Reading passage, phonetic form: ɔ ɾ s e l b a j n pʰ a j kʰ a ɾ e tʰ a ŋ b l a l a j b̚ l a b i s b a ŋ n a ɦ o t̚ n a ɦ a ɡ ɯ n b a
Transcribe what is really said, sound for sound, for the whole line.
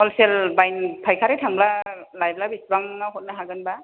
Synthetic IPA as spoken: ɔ l s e l b a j n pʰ a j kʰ a ɾ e tʰ a ŋ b l a l a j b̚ l a b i s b a ŋ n a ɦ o t̚ n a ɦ a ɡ ɯ n b a